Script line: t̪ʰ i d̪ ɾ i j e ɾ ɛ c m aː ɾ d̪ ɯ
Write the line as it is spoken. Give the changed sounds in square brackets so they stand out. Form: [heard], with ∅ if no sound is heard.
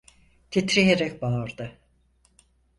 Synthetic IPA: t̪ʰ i [t̪] ɾ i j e ɾ ɛ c [b] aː ɾ d̪ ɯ